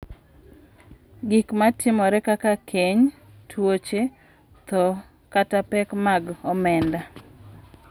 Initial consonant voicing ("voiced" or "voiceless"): voiced